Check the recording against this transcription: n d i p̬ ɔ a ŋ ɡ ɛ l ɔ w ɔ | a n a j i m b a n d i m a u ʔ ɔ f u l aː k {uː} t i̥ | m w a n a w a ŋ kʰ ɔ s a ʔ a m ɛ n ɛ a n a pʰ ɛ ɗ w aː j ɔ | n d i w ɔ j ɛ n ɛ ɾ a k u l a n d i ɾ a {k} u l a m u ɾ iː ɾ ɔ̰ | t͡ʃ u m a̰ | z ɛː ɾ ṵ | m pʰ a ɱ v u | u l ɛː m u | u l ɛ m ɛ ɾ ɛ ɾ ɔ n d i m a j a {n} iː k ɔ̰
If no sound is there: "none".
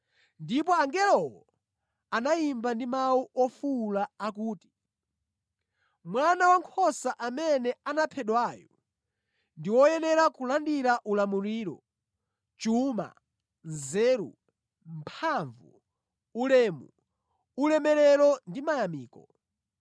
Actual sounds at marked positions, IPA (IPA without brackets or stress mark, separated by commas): uː, ʔ, m